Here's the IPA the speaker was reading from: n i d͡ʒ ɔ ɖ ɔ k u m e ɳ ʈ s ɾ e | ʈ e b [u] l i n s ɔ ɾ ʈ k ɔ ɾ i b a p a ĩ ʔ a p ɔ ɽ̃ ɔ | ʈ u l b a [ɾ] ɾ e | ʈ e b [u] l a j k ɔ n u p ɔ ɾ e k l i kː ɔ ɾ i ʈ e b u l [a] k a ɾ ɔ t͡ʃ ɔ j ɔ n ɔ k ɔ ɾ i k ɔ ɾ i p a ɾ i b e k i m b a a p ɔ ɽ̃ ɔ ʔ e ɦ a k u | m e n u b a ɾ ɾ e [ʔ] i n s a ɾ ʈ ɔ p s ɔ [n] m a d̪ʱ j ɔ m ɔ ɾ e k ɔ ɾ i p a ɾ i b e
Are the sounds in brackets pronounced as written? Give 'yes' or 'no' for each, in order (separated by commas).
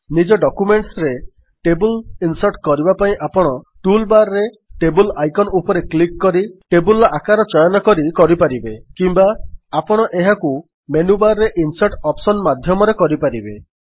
yes, yes, yes, yes, yes, yes